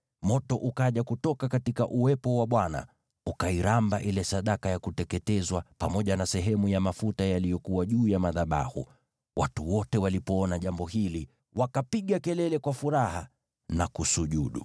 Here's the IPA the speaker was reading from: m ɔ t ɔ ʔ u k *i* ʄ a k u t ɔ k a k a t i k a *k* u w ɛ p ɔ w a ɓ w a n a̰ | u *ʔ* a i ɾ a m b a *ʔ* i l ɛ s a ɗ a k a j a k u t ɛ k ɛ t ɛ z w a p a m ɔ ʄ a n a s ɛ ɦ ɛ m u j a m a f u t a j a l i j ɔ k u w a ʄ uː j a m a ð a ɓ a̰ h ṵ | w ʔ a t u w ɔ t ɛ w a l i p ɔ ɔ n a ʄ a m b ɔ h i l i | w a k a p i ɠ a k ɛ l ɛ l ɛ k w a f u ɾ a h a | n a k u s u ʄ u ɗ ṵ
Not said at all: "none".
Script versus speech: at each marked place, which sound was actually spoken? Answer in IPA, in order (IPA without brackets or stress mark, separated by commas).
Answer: a, ʔ, k, ʔ